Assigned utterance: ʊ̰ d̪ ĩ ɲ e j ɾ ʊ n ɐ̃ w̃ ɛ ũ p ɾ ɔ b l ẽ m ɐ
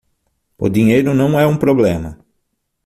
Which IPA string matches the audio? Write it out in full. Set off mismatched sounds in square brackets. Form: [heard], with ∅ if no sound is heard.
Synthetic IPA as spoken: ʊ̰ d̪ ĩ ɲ e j ɾ ʊ n ɐ̃ w̃ ɛ ũ p ɾ [o] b l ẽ m ɐ